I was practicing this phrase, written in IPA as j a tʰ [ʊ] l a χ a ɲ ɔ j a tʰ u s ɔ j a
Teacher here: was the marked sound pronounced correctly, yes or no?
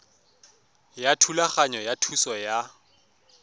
no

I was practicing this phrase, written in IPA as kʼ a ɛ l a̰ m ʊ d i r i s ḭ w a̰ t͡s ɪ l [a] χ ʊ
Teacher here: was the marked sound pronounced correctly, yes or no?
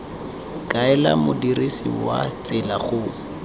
yes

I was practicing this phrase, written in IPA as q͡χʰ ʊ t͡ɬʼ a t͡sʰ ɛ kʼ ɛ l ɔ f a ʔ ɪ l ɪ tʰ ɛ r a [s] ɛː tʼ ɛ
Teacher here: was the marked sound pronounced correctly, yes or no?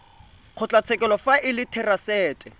yes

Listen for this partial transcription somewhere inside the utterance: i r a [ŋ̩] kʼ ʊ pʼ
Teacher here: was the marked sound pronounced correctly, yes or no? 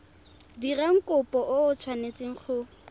yes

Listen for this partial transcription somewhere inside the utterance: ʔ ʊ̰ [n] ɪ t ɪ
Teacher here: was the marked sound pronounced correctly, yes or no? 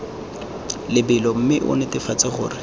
yes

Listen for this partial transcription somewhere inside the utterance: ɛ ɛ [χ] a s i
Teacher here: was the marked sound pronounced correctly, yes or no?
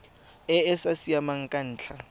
no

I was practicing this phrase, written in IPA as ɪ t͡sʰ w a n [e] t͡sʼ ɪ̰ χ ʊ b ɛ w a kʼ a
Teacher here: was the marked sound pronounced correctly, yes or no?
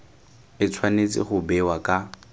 yes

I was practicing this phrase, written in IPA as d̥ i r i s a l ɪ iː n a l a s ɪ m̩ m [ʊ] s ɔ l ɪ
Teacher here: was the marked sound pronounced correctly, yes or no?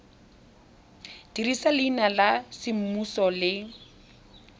no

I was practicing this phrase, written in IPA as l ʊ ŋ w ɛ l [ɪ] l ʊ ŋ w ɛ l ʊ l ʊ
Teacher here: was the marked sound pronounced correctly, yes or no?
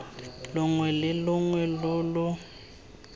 yes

